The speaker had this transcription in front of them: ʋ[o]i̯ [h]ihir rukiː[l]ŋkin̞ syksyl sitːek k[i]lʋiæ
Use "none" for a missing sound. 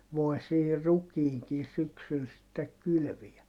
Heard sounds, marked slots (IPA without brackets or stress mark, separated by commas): o, s, none, y